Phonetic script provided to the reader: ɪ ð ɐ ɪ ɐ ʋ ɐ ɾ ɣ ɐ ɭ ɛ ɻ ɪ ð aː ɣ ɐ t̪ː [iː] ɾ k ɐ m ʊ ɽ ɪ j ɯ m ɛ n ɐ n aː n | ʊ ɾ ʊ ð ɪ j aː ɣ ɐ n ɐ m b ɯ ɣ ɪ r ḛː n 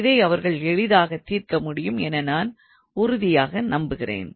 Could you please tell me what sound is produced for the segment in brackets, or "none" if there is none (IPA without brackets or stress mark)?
iː